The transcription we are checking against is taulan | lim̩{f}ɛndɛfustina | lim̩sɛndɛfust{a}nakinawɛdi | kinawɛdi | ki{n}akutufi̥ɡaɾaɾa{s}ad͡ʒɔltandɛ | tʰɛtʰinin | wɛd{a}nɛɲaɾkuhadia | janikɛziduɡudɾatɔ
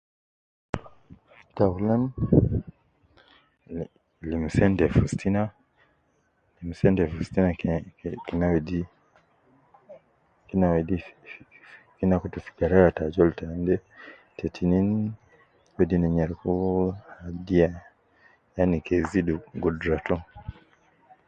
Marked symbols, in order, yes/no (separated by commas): no, no, yes, no, no